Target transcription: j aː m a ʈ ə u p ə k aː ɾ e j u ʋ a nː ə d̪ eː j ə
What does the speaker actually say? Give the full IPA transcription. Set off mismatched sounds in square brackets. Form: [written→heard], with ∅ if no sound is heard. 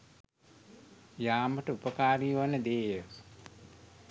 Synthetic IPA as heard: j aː m [a→ə] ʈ ə u p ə k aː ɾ [e→i] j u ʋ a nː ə d̪ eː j ə